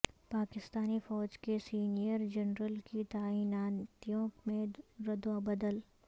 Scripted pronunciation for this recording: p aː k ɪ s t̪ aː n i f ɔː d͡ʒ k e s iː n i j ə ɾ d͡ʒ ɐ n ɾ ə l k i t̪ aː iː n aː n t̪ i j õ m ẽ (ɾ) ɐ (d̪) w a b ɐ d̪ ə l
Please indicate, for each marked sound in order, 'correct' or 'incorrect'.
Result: correct, correct

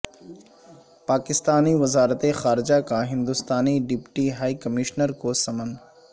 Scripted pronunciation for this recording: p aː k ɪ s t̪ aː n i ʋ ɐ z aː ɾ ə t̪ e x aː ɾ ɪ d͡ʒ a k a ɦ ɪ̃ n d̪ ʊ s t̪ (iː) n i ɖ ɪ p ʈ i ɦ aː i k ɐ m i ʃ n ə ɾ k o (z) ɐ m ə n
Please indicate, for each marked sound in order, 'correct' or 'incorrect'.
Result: incorrect: aː, incorrect: s

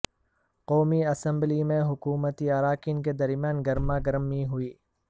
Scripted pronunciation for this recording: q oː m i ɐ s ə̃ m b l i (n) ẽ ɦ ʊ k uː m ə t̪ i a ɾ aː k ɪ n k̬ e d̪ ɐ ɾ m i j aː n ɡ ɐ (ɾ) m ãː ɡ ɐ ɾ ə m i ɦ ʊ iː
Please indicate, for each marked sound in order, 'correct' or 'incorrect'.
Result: incorrect: m, correct

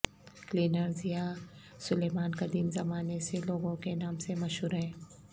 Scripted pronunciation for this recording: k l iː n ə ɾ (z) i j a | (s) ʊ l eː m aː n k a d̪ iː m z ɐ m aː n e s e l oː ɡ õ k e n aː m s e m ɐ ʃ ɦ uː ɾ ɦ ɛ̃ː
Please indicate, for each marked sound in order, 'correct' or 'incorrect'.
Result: correct, correct

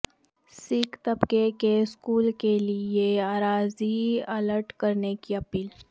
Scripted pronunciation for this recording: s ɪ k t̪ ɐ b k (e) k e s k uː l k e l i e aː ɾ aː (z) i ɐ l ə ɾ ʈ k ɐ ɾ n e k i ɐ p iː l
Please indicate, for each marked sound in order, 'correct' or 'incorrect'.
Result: correct, correct

